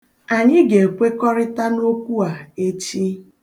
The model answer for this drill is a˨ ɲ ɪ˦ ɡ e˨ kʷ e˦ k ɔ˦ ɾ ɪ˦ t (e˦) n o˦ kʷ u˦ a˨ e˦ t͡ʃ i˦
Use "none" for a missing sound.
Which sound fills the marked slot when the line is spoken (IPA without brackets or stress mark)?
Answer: a˦